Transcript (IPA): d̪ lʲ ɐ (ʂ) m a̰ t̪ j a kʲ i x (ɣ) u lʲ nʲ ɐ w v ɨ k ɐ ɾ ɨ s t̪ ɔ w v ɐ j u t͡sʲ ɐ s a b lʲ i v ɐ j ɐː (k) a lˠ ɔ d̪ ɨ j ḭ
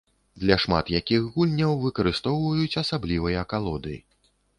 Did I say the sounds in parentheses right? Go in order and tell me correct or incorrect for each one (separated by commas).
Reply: correct, correct, correct